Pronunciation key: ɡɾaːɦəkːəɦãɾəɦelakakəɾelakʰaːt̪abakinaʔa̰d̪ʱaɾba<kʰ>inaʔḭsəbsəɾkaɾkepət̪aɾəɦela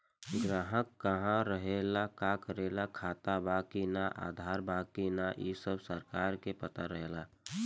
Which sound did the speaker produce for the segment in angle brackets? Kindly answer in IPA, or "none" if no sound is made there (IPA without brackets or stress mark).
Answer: k